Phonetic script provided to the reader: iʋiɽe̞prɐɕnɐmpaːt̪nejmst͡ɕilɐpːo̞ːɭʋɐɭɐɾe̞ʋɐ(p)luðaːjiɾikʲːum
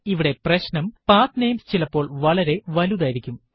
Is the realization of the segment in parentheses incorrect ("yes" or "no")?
yes